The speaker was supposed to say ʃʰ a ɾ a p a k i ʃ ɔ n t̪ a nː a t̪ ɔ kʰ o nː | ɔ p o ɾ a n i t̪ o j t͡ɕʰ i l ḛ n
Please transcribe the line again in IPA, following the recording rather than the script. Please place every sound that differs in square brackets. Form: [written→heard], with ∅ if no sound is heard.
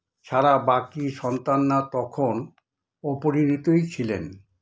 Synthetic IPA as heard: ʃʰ a ɾ a [p→b] a k i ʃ ɔ n t̪ a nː a t̪ ɔ kʰ o [nː→n] | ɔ p o ɾ [a→i] n i t̪ o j t͡ɕʰ i l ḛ n